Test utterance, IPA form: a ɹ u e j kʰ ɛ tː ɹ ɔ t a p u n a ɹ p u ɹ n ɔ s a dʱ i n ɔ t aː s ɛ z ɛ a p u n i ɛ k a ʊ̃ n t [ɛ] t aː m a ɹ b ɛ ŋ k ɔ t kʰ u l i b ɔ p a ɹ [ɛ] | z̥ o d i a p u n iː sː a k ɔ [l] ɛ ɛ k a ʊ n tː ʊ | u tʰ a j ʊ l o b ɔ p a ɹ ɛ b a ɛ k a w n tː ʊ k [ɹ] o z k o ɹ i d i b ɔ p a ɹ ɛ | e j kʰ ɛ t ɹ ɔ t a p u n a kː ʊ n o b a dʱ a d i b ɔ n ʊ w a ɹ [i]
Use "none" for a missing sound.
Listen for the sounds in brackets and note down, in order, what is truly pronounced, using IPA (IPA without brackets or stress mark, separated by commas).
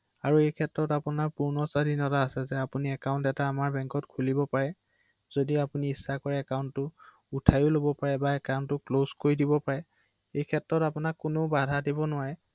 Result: ɛ, ɛ, ɹ, l, ɛ